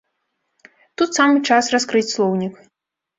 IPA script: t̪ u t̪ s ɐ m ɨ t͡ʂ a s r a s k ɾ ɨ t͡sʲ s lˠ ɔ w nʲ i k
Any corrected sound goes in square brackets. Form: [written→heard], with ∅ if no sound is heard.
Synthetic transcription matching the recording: t̪ u t̪ s [ɐ→a] m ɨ t͡ʂ a s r a s k ɾ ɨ t͡sʲ s lˠ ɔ w nʲ i k